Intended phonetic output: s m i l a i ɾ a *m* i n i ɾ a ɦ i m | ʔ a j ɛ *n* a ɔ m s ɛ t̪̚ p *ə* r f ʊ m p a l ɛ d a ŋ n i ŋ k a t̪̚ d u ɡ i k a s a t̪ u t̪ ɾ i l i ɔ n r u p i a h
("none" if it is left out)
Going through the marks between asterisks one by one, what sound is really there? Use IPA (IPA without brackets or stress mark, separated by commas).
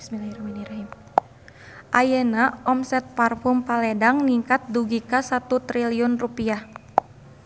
m, n, a